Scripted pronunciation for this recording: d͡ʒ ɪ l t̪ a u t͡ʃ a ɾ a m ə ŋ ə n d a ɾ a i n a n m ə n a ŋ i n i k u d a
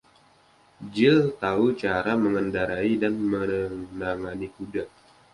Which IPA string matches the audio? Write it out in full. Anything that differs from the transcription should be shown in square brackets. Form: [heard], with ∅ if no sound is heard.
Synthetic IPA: d͡ʒ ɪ l t̪ a u t͡ʃ a ɾ a m ə ŋ ə n d a ɾ a i [d] a n m ə n a ŋ [a] n i k u d a